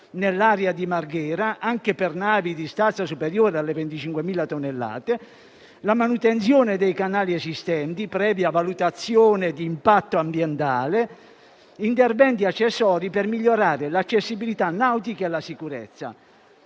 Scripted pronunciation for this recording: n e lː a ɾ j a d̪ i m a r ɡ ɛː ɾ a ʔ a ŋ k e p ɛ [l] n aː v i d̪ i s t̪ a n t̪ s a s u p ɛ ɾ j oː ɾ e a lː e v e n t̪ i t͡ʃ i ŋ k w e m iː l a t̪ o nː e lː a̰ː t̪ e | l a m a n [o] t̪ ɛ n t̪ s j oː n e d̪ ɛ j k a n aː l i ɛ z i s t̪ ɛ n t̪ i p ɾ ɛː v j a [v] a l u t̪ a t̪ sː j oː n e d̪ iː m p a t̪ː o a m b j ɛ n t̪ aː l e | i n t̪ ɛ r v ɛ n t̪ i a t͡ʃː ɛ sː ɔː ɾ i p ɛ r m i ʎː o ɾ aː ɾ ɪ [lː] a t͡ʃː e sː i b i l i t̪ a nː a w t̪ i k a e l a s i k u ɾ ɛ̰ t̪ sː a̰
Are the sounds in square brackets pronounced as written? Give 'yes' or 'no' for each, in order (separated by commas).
no, no, yes, no